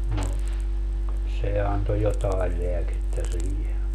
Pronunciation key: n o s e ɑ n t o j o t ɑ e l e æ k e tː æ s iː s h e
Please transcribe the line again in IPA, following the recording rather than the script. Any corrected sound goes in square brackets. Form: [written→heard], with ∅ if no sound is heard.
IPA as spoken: n o s e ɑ n t o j o t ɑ e l e æ k e tː æ s iː [s→∅] h e